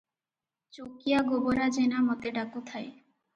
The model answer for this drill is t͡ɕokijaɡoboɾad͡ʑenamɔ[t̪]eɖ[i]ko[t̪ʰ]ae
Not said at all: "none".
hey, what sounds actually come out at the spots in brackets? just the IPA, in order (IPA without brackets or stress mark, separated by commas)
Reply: t̪, a, t̪ʰ